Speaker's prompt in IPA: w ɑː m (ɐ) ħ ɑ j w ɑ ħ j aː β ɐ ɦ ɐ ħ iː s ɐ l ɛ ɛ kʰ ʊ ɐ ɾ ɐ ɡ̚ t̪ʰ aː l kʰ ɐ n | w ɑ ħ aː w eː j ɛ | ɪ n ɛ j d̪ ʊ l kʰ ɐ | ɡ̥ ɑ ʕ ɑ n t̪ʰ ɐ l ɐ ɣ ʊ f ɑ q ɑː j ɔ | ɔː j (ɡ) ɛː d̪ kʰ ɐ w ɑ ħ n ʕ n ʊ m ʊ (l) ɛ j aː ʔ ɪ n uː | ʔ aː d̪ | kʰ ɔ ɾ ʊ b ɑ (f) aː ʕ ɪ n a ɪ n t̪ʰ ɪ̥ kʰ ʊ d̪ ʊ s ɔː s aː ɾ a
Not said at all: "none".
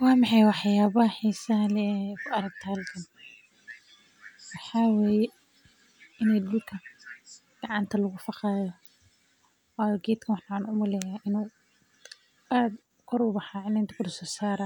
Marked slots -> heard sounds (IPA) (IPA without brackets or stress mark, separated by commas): ɑ, ɡ, l, ħ